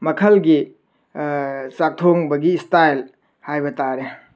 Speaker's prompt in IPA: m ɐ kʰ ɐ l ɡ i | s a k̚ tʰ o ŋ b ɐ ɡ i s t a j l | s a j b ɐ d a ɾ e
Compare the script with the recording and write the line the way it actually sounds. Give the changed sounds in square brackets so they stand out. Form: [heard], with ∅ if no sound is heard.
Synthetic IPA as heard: m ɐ kʰ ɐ l ɡ i | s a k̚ tʰ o ŋ b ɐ ɡ i s t a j l | [h] a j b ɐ [t] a ɾ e